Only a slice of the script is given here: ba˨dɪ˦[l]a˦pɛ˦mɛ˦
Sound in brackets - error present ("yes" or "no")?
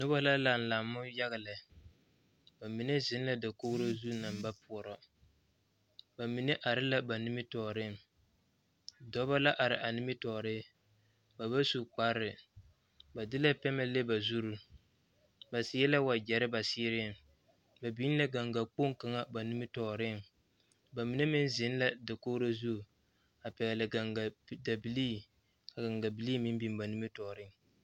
no